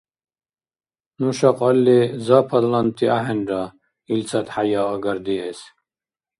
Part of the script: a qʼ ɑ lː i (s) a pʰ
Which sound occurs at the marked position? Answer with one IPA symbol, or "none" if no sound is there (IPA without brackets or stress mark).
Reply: z